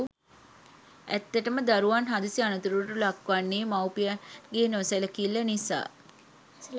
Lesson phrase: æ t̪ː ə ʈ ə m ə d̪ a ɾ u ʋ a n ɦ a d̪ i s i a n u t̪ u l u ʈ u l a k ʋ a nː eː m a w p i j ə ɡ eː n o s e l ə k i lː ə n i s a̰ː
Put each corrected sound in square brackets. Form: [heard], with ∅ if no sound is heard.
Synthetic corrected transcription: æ t̪ː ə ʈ ə m ə d̪ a ɾ u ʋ a n ɦ a d̪ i s i a n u t̪ u [ɾ] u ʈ u l a k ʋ a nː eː m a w p i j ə ɡ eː n o s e l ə k i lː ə n i s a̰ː